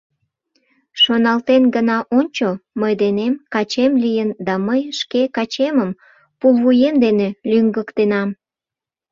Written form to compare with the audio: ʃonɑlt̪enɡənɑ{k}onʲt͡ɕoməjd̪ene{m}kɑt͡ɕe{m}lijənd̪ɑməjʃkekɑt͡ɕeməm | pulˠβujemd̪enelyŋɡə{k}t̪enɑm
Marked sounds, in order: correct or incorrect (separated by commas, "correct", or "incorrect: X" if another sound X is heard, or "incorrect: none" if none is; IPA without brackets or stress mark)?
incorrect: ʔ, correct, correct, correct